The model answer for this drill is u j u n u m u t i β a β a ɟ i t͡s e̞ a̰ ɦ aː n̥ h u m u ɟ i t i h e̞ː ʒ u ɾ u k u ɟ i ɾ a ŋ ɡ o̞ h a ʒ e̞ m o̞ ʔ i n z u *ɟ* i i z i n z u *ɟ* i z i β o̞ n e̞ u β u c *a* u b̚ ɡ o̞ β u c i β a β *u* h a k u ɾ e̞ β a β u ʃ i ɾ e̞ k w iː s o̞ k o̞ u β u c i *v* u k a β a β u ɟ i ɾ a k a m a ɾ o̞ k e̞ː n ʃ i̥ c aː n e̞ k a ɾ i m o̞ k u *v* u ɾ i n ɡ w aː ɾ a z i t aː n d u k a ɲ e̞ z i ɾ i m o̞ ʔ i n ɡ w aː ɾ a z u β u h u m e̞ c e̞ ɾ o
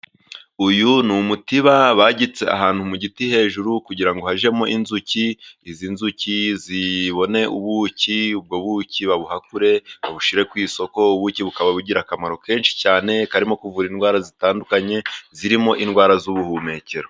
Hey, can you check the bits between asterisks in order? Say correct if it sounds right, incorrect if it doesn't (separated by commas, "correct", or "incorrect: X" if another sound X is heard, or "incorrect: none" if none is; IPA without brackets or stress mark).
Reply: incorrect: c, incorrect: c, incorrect: i, correct, incorrect: β, correct